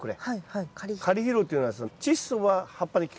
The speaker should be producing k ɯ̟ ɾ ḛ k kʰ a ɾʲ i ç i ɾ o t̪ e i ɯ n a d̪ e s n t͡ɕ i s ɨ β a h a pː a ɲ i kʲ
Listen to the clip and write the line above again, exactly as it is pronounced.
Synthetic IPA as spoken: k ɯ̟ ɾ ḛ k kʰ a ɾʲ i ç i ɾ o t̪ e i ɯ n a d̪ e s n t͡ɕ i s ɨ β a h a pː a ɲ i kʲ